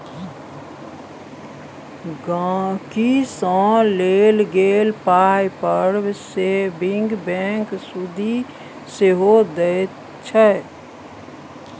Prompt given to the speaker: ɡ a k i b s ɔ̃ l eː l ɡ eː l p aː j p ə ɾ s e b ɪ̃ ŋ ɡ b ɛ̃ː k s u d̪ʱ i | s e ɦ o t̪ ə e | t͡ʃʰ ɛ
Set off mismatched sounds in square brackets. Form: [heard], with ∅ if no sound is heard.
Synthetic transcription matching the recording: ɡ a k i [∅] s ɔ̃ l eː l ɡ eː l p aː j p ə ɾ s e b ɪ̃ ŋ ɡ b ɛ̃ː k s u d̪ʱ i | s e ɦ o [d̪] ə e | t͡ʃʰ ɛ